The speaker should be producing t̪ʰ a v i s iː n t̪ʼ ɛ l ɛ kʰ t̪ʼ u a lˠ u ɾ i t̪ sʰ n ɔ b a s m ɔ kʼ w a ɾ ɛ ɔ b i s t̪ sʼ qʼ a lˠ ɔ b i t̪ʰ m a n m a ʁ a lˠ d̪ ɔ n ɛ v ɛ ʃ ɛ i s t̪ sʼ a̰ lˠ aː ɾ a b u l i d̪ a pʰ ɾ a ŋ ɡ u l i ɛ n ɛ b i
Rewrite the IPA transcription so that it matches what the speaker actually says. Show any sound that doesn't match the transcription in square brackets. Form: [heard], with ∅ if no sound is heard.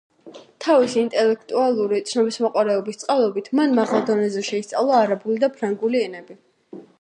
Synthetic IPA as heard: t̪ʰ a v i s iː n t̪ʼ ɛ l ɛ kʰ t̪ʼ u a lˠ u ɾ i t̪ sʰ n ɔ b [i] s m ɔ [qʼ] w a ɾ ɛ ɔ b i s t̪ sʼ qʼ a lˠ ɔ b i t̪ʰ m a n m a ʁ a lˠ d̪ ɔ n ɛ [z] ɛ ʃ ɛ i s t̪ sʼ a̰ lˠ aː ɾ a b u l i d̪ a pʰ ɾ a ŋ ɡ u l i ɛ n ɛ b i